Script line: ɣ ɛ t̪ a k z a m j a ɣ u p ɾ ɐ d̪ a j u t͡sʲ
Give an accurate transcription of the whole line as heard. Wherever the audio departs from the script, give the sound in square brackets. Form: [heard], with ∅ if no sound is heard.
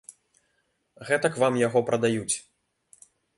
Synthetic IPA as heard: ɣ ɛ t̪ [ɐ] k [v] a m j a ɣ [ɔ] p ɾ ɐ d̪ a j u t͡sʲ